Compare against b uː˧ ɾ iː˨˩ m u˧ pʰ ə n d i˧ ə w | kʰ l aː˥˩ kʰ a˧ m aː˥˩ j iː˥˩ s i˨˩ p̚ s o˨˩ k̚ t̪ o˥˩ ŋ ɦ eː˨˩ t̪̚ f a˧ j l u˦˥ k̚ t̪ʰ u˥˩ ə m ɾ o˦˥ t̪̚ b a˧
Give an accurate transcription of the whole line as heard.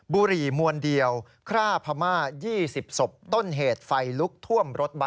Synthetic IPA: b uː˧ ɾ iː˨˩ m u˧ ə n d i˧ ə w | kʰ ɾ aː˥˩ pʰ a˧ m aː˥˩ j iː˥˩ s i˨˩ p̚ s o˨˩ p̚ t̪ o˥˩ n ɦ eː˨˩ t̪̚ f a˧ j l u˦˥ k̚ t̪ʰ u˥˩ ə m ɾ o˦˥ t̪̚ b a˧